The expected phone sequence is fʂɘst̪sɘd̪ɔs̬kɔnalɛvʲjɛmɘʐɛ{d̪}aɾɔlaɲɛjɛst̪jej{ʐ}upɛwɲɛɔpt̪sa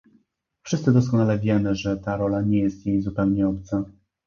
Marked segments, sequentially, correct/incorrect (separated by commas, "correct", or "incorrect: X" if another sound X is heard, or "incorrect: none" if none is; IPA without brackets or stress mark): incorrect: t̪, incorrect: z